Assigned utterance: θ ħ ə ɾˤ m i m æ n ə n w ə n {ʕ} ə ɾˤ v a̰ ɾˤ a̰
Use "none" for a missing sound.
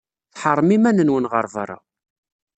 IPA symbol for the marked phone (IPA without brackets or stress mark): ʁ